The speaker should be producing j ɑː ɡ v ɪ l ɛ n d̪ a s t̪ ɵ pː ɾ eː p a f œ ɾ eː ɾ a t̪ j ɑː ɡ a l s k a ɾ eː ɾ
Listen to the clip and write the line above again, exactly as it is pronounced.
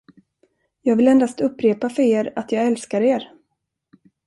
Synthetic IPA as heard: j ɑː ɡ v ɪ l ɛ n d̪ a s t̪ ɵ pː ɾ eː p a f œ ɾ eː ɾ a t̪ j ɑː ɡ ɛ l s k a ɾ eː ɾ